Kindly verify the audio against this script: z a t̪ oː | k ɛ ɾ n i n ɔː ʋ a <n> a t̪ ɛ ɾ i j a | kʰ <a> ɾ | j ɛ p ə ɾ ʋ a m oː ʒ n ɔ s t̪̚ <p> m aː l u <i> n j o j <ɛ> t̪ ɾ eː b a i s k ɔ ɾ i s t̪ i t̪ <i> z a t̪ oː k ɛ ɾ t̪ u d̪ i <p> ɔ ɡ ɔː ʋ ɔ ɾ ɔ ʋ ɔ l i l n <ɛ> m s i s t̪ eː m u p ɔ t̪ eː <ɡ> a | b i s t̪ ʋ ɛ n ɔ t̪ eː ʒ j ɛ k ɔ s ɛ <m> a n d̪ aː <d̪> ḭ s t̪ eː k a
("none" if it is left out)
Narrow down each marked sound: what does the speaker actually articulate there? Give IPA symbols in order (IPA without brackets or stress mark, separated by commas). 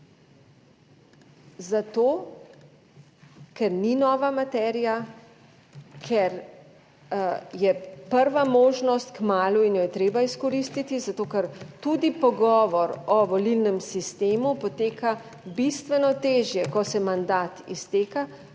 m, ɛ, k, i, ɛ, i, p, ɛ, k, m, t̪